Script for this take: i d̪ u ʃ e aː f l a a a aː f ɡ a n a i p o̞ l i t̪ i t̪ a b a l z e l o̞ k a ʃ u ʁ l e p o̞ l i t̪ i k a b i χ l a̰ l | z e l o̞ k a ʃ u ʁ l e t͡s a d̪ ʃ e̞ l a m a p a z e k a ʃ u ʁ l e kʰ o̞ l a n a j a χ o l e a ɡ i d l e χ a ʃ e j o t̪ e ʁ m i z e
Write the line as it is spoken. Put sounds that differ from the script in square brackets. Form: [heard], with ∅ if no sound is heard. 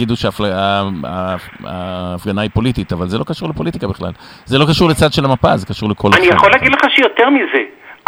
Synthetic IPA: i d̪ u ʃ e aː f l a a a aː f ɡ a n a i p o̞ l i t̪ i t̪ a [v] a l z e l o̞ k a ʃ u ʁ l e p o̞ l i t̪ i k a b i χ l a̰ l | z e l o̞ k a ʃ u ʁ l e t͡s a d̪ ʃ e̞ l a m a p a z e k a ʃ u ʁ l e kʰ o̞ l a n [i] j a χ o l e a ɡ i d l e χ a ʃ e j o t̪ e ʁ m i z e